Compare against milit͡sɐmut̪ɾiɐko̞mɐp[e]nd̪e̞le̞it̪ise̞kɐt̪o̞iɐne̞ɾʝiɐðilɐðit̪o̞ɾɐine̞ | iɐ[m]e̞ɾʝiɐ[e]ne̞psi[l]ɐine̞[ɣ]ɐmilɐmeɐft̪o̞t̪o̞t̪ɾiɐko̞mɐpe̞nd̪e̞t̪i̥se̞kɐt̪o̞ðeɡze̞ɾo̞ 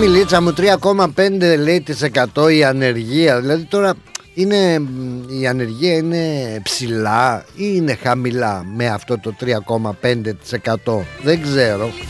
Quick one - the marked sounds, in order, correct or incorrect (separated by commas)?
correct, incorrect, incorrect, correct, incorrect